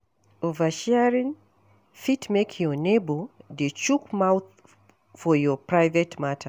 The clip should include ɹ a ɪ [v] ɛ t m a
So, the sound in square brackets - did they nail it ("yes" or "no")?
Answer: yes